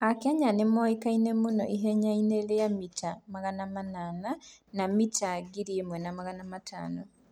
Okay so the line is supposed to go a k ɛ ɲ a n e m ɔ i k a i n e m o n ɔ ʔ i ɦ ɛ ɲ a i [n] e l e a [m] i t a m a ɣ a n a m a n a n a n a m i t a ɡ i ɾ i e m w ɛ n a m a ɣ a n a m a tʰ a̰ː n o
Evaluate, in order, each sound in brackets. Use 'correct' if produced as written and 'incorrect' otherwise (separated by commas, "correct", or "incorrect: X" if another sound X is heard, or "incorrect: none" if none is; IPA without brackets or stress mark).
correct, correct